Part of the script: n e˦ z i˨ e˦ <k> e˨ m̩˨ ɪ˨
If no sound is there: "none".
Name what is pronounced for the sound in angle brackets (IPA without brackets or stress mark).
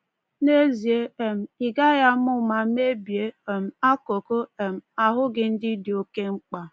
none